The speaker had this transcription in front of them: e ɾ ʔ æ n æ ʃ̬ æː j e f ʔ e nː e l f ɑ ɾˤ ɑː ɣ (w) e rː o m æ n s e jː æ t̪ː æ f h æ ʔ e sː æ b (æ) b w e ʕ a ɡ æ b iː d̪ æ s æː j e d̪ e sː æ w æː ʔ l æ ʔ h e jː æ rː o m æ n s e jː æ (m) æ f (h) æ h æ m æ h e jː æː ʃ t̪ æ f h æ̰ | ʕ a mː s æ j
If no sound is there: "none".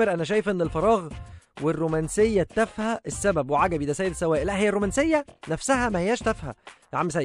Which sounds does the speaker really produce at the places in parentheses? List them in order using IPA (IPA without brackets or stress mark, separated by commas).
w, æ, n, s